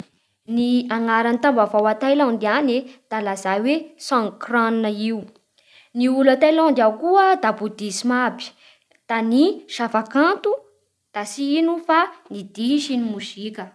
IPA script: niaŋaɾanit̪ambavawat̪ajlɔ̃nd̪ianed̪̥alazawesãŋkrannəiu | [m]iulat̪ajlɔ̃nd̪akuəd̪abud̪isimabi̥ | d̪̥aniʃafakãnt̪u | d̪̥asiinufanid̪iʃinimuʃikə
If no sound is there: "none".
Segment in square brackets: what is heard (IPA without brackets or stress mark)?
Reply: n